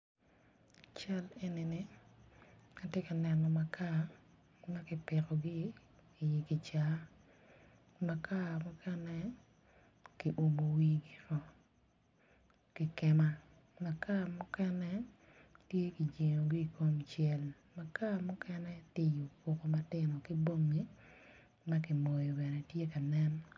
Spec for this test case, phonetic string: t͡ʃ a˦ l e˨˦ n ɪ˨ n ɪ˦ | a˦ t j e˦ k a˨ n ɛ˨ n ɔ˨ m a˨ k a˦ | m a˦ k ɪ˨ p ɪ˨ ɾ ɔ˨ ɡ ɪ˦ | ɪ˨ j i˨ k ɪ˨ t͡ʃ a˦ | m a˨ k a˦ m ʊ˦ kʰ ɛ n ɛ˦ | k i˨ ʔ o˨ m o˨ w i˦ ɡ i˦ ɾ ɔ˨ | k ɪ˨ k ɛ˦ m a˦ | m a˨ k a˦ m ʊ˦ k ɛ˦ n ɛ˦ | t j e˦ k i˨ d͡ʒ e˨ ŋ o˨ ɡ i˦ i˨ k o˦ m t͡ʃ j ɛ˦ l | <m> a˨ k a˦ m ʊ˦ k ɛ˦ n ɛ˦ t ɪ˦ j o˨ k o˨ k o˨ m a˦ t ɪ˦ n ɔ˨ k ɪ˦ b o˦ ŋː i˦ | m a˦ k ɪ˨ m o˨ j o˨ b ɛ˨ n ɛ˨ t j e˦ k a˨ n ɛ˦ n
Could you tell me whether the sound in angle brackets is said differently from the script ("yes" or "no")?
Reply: no